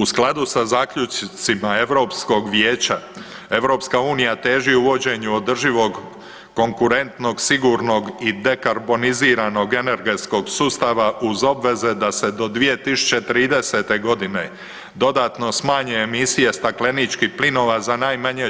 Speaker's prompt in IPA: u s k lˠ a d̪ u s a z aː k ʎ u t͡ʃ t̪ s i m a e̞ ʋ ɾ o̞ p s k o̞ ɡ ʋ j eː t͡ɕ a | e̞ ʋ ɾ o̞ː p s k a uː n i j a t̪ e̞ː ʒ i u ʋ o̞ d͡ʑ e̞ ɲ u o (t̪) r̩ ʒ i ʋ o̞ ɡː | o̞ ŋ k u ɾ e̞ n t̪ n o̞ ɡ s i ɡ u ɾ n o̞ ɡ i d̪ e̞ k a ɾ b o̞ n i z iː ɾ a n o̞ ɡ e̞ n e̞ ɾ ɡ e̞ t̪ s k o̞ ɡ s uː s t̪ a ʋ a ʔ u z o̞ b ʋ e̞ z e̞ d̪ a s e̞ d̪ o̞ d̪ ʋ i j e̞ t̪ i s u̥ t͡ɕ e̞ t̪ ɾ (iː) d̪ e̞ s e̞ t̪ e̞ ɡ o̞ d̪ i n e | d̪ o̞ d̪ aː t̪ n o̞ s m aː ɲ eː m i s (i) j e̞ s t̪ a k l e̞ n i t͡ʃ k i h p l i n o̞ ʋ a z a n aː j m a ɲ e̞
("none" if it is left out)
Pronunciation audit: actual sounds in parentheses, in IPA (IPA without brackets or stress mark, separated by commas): d̪, iː, i